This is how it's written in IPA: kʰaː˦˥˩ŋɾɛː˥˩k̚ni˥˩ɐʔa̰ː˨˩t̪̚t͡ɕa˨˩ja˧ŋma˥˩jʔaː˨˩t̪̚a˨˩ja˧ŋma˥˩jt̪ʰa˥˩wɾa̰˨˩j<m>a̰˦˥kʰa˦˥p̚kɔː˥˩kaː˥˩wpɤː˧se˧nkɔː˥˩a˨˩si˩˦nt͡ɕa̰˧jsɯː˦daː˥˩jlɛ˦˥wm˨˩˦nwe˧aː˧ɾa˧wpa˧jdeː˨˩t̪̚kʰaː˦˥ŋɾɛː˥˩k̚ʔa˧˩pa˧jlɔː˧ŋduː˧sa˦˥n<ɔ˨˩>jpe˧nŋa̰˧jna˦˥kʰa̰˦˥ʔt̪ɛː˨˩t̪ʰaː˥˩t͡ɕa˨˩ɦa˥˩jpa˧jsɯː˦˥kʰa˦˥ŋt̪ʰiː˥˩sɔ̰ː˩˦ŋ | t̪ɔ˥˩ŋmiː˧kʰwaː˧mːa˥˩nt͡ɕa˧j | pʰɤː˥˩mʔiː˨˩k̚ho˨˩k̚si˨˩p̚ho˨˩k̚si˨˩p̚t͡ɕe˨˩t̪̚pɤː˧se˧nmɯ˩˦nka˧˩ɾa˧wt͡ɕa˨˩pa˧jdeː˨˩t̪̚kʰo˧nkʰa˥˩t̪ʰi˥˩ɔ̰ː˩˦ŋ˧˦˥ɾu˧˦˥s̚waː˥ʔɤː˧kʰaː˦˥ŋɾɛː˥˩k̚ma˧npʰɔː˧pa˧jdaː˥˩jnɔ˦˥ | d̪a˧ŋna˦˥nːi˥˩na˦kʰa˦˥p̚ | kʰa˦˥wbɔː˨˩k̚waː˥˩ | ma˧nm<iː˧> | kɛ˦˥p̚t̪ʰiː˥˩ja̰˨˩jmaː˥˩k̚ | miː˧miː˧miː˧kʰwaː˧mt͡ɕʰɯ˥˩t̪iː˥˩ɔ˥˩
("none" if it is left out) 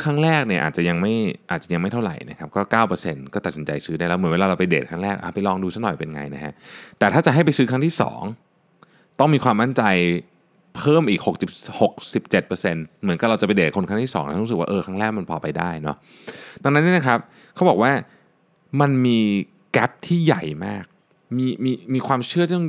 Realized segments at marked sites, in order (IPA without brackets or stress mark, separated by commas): n, ɔ˨˩, iː˧